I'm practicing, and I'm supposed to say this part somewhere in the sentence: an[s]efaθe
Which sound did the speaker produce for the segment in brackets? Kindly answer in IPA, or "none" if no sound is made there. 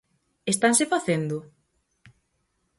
s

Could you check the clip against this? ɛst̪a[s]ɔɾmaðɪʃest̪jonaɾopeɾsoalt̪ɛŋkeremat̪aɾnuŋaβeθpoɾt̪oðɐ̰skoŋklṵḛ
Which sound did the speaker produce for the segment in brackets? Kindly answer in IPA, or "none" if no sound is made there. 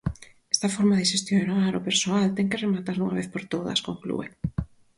f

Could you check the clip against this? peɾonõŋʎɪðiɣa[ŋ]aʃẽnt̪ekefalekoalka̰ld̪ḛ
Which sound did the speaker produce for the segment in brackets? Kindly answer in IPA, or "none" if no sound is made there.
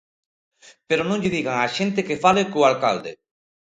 ŋ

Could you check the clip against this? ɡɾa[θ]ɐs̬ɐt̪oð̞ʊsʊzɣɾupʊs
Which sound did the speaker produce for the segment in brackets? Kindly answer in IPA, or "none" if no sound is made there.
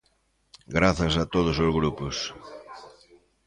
θ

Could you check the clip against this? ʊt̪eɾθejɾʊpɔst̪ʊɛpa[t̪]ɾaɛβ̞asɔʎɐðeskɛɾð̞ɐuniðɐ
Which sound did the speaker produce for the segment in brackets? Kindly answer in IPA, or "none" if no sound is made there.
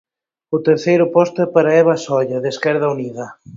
none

